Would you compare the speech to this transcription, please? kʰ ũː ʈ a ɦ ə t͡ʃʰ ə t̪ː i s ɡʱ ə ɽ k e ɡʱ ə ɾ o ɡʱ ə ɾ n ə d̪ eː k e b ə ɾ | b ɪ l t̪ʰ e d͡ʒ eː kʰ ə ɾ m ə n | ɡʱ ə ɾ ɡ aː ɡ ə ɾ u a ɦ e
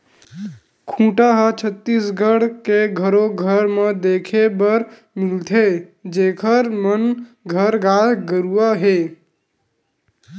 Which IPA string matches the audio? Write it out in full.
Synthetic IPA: kʰ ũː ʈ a ɦ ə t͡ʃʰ ə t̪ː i s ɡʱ ə ɽ k e ɡʱ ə ɾ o ɡʱ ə ɾ m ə d̪ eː kʰ e b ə ɾ | m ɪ l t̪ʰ e d͡ʒ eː kʰ ə ɾ m ə n | ɡʱ ə ɾ ɡ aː ɡ ə ɾ u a ɦ e